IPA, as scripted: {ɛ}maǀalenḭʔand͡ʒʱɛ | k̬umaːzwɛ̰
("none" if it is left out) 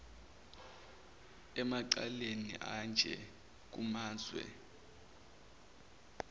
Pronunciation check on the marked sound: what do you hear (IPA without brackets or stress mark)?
ɛ